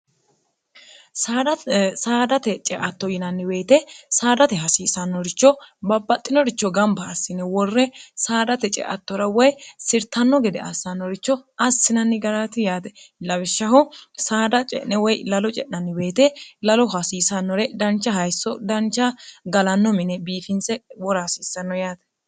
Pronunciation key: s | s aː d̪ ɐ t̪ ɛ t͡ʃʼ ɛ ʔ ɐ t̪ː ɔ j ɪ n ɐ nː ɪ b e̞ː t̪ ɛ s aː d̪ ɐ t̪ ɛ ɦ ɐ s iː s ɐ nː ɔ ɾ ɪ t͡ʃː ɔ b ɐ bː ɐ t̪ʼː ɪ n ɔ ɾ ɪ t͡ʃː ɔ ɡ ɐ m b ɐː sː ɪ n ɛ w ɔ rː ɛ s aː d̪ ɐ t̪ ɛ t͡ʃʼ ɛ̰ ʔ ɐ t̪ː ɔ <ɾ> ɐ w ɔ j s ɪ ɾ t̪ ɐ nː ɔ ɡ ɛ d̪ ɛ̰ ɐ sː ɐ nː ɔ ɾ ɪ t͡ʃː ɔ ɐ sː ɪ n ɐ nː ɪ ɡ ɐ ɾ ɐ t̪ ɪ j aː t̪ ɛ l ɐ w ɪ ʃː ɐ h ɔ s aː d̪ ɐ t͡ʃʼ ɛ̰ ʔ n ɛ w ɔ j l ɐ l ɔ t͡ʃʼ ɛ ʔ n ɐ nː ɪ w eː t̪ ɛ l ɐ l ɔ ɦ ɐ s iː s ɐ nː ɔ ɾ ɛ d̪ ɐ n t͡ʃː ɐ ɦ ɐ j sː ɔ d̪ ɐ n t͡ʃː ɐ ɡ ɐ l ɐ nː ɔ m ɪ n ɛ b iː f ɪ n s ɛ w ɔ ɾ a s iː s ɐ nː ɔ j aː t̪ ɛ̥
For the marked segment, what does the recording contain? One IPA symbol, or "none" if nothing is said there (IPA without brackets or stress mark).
ɾ